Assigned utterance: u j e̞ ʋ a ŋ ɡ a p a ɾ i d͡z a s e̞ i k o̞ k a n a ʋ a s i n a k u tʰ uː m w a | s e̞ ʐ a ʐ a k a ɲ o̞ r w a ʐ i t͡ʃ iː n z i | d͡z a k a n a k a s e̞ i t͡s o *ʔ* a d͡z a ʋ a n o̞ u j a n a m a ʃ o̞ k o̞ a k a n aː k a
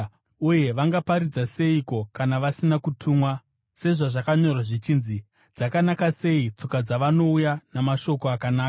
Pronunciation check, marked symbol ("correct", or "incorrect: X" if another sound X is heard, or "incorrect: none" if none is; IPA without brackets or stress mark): incorrect: k